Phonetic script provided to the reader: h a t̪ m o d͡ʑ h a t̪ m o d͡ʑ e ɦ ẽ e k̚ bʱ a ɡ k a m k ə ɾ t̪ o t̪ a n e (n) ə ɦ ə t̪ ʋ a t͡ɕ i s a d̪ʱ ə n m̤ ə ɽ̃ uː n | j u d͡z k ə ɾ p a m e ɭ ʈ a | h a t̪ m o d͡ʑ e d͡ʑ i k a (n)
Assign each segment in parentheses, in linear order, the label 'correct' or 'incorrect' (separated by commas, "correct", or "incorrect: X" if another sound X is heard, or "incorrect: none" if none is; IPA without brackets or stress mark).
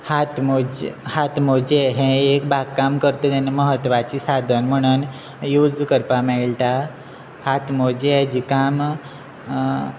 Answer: incorrect: m, incorrect: m